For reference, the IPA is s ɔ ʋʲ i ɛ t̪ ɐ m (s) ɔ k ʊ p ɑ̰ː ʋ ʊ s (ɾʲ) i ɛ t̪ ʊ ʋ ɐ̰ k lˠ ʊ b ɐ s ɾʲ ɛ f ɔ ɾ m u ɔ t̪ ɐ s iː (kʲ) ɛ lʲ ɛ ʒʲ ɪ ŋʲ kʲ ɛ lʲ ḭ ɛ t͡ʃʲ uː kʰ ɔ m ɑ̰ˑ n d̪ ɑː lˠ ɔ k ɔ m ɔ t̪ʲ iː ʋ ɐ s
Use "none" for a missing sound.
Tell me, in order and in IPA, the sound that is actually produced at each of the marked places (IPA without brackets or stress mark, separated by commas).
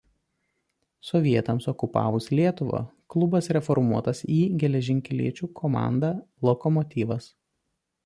s, lʲ, ɡʲ